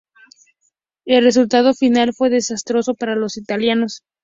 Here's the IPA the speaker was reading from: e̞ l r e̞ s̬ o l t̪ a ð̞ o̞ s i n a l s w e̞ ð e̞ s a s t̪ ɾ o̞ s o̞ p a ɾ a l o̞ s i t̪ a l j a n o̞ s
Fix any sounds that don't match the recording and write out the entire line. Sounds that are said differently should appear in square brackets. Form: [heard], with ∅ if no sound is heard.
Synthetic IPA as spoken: e̞ l r e̞ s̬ [u] l t̪ a ð̞ o̞ [f] i n a l [f] w e̞ ð e̞ s a s t̪ ɾ o̞ s o̞ p a ɾ a l o̞ s i t̪ a l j a n o̞ s